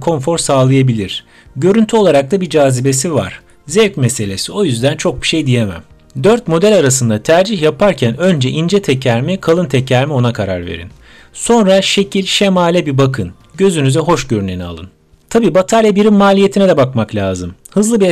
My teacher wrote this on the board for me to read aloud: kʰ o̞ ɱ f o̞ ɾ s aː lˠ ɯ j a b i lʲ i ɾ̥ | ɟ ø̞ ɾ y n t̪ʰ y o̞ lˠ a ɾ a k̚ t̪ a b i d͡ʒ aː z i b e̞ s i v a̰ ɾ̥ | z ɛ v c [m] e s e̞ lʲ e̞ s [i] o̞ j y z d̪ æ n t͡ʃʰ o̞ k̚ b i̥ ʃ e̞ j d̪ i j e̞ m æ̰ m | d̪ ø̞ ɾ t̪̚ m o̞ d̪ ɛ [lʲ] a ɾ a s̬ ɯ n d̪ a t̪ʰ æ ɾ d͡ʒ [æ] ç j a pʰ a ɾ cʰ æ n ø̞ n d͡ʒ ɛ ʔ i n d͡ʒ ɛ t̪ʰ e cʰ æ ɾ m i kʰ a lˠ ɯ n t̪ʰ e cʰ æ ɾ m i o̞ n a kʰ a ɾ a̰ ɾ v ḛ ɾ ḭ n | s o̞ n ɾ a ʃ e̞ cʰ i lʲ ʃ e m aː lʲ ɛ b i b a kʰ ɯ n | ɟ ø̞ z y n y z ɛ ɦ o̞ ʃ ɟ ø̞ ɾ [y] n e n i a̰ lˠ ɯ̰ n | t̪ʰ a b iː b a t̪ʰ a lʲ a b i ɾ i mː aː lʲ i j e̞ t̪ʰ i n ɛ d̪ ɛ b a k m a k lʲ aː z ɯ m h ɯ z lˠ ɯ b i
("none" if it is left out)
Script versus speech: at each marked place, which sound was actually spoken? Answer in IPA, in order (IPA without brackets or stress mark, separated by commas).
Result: m, i, lʲ, i, y